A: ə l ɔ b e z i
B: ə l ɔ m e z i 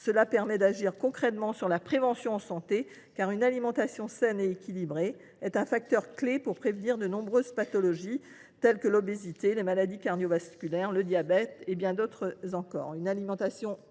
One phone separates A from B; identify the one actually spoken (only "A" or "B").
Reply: A